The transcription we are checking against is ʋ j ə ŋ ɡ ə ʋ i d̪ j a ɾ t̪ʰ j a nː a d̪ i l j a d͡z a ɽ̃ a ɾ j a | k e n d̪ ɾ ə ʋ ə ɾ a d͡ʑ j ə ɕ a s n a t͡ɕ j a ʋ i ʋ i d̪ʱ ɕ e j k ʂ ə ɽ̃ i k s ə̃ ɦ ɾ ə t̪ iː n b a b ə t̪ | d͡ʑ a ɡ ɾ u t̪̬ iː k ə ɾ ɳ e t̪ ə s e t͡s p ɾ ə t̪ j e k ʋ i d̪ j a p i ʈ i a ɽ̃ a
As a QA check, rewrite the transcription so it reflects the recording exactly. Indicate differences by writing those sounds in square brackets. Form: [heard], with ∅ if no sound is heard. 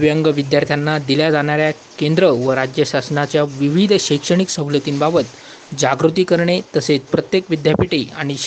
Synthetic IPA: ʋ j ə ŋ ɡ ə ʋ i d̪ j a ɾ t̪ʰ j a nː a d̪ i l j a d͡z a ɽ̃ a ɾ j a | k e n d̪ ɾ ə ʋ ə ɾ a d͡ʑ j ə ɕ a s n a t͡ɕ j a ʋ i ʋ i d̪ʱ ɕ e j k ʂ ə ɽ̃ i k s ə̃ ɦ [l] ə t̪ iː n b a b ə t̪ | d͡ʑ a ɡ ɾ u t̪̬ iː k ə ɾ ɳ e t̪ ə s e t͡s p ɾ ə t̪ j e k ʋ i d̪ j a p i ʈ i a ɽ̃ [i]